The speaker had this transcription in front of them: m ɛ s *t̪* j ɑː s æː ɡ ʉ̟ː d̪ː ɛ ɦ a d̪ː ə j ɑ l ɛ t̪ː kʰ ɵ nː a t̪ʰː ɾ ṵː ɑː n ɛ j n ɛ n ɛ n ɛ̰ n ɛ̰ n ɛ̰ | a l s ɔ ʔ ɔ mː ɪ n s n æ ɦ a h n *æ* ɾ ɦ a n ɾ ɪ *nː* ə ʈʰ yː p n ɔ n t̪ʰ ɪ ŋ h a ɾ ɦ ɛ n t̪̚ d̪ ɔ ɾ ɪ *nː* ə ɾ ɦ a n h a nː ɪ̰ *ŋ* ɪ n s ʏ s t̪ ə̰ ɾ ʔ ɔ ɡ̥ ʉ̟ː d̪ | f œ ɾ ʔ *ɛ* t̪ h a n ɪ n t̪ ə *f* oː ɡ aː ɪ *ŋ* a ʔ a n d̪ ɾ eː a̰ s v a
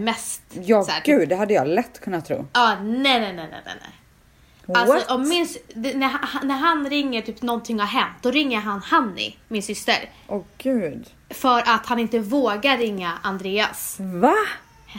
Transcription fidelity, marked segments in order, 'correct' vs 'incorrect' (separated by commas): correct, correct, incorrect, incorrect, incorrect, incorrect, incorrect, incorrect